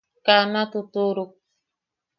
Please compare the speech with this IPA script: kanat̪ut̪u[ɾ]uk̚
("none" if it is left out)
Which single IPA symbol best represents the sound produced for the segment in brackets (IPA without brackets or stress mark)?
ɾ